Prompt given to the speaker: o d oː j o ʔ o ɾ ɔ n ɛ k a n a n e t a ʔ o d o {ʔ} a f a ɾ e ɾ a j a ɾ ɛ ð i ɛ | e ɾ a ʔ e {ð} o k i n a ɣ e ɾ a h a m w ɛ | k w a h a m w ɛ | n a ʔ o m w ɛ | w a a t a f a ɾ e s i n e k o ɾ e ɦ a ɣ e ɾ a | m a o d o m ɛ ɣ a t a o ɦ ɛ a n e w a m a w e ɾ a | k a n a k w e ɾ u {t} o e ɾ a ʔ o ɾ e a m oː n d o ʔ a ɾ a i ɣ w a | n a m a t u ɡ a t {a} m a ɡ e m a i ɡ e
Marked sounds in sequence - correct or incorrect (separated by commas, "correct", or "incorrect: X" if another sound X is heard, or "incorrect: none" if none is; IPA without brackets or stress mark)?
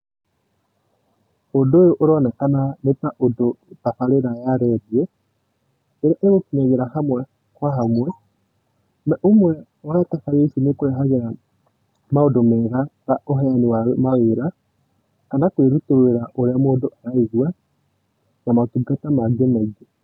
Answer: incorrect: t, incorrect: ɣ, correct, correct